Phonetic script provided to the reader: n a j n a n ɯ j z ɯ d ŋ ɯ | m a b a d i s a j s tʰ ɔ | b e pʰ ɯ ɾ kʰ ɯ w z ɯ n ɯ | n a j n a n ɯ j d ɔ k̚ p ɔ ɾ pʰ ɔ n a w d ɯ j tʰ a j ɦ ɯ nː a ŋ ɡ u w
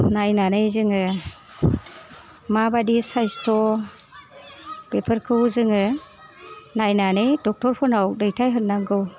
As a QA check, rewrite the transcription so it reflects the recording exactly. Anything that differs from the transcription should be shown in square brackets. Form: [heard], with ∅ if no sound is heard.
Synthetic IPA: n a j n a n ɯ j z ɯ [∅] ŋ ɯ | m a b a d i s a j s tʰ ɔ | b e pʰ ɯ ɾ kʰ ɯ w z ɯ [ŋ] ɯ | n a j n a n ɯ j d ɔ k̚ [t] ɔ ɾ pʰ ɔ n a w d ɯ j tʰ a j ɦ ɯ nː a ŋ ɡ [ɯ] w